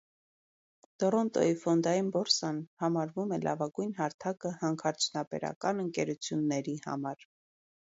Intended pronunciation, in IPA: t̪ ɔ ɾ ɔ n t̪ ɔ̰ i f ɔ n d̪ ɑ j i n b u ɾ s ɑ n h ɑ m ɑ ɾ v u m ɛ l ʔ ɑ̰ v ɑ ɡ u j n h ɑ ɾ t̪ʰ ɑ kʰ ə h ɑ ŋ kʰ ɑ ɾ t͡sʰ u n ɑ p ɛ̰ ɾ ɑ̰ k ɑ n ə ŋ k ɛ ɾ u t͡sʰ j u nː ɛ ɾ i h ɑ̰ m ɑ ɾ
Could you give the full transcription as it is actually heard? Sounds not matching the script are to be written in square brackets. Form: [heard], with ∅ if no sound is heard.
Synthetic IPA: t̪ ɔ ɾ ɔ n t̪ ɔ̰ i f ɔ n d̪ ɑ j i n b [ɔ] ɾ s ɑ n h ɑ m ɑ ɾ v u m ɛ l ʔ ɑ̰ v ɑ ɡ u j n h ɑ ɾ t̪ʰ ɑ [k] ə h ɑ ŋ kʰ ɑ ɾ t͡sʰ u n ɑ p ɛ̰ ɾ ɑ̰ k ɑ n ə ŋ k ɛ ɾ u t͡sʰ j u nː ɛ ɾ i h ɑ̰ m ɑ ɾ

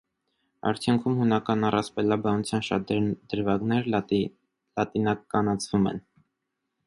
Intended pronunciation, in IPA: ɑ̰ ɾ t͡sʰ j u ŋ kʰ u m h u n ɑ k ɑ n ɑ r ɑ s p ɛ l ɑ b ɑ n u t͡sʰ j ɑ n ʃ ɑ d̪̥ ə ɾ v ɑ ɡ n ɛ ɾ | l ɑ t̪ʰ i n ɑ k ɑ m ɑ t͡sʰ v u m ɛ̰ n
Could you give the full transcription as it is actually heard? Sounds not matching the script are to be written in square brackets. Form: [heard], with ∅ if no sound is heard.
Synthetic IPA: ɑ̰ ɾ t͡sʰ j u ŋ kʰ u m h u n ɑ k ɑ n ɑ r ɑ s p ɛ l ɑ b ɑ n u t͡sʰ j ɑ n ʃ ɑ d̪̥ ə ɾ v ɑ ɡ n ɛ ɾ | l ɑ [t̪] i n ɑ k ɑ [n] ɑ t͡sʰ v u m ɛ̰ n

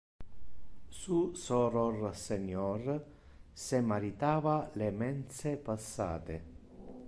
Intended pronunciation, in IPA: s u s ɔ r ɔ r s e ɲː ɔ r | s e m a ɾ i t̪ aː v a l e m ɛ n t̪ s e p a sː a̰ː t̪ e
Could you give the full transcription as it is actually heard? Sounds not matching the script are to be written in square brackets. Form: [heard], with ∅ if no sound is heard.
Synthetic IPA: s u s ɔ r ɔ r s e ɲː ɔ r | s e m a ɾ i t̪ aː v a l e m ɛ n t̪ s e p a sː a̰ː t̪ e

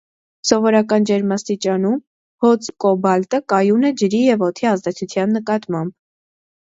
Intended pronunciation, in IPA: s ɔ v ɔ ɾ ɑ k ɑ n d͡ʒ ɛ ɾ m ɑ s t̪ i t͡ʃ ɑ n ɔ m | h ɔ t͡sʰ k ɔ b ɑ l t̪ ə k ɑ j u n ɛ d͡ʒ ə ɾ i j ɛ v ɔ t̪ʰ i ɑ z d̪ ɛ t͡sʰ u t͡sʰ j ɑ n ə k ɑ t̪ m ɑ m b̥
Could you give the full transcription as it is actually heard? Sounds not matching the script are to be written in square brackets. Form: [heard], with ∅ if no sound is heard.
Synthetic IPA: s ɔ v ɔ ɾ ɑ k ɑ n d͡ʒ ɛ ɾ m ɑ s t̪ i t͡ʃ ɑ n [u] m | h ɔ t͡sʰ k ɔ b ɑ l t̪ ə k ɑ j u n ɛ d͡ʒ ə ɾ i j ɛ v ɔ t̪ʰ i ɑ z d̪ ɛ t͡sʰ u t͡sʰ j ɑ [nː] ə k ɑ t̪ m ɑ m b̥

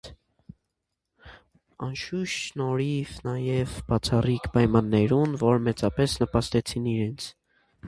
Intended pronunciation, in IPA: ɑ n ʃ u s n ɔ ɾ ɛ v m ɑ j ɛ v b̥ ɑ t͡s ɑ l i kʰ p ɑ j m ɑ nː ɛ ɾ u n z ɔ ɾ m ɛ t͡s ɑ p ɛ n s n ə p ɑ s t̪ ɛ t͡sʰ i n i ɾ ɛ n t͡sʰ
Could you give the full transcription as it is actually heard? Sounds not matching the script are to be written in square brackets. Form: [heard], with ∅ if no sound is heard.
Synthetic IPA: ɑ n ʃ u [ʃ] n ɔ ɾ [i] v [n] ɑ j ɛ v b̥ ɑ [t͡sʰ] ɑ [r] i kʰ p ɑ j m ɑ nː ɛ ɾ u n [v] ɔ ɾ m ɛ t͡s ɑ p ɛ [∅] s n ə p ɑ s t̪ ɛ t͡sʰ i n i ɾ ɛ n t͡sʰ

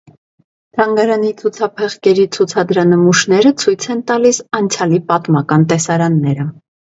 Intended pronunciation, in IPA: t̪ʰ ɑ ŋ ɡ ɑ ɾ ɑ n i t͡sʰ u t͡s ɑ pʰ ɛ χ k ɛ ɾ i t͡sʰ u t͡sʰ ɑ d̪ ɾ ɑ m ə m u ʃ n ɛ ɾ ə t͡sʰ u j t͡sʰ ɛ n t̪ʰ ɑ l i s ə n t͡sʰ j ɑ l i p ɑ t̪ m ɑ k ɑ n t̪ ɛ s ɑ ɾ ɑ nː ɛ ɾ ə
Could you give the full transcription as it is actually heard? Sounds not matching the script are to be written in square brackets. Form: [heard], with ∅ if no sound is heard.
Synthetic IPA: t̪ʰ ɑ ŋ ɡ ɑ ɾ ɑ n i t͡sʰ u [t͡sʰ] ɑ pʰ ɛ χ k ɛ ɾ i t͡sʰ u t͡sʰ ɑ d̪ ɾ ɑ [n] ə m u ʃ n ɛ ɾ ə t͡sʰ u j t͡sʰ ɛ n [t̪] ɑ l i s [ɑ] n t͡sʰ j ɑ l i p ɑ t̪ m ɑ k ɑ n t̪ ɛ s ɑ ɾ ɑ nː ɛ ɾ ə

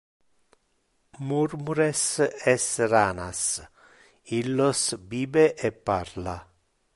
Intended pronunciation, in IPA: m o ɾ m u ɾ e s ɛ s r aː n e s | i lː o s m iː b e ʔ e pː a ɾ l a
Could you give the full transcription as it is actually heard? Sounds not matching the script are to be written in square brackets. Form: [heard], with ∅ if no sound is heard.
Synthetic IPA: m [u] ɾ m u ɾ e s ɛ s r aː n [a] s | i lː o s [b] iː b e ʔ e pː a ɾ l a

